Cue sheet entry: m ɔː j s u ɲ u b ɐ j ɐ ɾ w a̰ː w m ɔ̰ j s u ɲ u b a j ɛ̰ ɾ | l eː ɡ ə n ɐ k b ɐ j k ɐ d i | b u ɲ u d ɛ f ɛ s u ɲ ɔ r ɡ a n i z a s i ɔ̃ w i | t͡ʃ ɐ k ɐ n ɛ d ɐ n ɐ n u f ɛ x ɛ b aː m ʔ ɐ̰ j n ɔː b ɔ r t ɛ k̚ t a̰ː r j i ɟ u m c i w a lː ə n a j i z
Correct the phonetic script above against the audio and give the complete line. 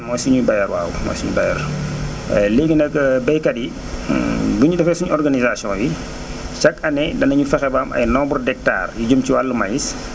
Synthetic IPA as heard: m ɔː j s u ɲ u b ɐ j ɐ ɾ w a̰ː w m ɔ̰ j s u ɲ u b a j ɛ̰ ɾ | l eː ɡ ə n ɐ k b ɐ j k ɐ d i | b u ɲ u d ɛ f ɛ s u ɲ ɔ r ɡ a n i z a s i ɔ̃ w i | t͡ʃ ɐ k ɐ n ɛ d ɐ n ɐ ɲ u f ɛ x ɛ b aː m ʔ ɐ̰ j n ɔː b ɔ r d ɛ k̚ t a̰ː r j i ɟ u m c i w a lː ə m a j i s